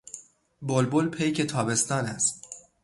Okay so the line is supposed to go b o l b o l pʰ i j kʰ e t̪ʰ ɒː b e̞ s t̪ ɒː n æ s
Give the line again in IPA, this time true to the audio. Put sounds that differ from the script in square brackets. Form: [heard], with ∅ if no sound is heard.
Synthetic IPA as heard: b o l b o l pʰ [e] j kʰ e t̪ʰ ɒː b e̞ s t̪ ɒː n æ s